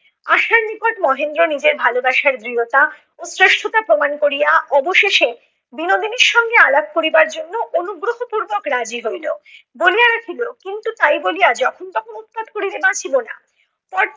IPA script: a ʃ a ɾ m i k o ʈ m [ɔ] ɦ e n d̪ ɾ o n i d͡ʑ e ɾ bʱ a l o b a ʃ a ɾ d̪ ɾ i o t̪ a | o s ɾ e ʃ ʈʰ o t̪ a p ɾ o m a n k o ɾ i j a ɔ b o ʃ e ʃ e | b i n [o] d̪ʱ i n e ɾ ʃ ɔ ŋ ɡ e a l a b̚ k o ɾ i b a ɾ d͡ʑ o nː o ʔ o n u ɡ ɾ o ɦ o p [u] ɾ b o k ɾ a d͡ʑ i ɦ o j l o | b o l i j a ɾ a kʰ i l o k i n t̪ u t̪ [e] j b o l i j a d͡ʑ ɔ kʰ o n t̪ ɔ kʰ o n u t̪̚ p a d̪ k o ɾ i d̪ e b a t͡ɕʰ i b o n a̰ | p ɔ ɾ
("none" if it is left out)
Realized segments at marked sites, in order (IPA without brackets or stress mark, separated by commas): ɔ, o, u, a